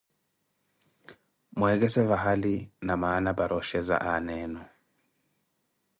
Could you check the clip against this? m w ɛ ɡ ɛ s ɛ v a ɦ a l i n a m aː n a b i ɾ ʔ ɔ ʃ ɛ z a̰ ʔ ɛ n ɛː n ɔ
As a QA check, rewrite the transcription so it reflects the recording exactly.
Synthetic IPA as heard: m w ɛ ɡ ɛ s ɛ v a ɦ a l i n a m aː n a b a ɾ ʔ ɔ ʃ ɛ z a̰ ʔ a n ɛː n ɔ